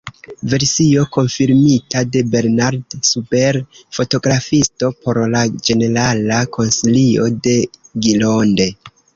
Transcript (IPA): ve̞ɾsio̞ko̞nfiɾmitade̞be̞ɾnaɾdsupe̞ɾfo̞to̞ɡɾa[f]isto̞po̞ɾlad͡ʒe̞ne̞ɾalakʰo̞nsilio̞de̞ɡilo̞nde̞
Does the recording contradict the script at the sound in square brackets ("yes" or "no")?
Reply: no